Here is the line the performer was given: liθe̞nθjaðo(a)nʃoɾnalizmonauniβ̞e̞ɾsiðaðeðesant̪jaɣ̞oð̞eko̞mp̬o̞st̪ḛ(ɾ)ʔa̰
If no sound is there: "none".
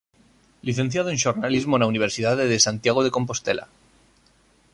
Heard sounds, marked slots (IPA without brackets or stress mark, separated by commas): e, l